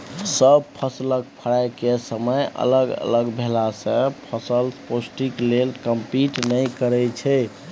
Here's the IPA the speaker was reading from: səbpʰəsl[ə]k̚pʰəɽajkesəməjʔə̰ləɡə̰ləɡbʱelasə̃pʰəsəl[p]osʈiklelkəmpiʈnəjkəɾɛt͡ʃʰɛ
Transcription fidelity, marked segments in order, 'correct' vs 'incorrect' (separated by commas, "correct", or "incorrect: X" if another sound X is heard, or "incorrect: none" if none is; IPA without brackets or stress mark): correct, correct